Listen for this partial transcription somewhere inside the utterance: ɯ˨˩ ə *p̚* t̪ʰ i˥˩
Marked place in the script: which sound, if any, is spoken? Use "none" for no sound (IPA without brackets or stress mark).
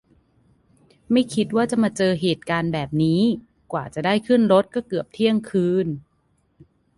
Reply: p̚